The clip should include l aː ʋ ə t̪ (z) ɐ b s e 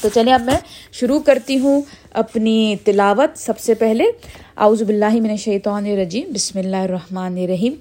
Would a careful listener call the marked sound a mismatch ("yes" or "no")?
yes